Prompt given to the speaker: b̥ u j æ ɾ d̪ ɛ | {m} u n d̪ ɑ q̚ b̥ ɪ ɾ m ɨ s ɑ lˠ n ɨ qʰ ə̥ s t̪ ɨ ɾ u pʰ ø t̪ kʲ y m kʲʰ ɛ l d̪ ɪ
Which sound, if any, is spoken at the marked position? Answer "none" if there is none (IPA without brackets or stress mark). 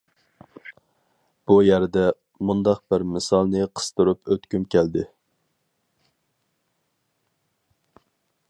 m